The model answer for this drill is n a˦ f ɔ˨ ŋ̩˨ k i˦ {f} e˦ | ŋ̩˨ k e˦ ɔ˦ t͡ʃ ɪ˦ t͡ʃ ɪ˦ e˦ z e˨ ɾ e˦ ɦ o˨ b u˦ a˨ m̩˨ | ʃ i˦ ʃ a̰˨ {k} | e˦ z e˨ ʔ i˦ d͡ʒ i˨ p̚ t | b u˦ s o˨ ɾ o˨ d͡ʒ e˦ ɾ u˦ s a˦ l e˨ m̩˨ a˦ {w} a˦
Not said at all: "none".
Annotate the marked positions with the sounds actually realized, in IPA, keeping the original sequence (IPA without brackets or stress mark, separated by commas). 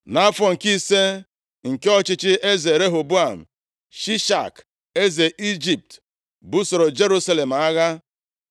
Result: s, k, ɣ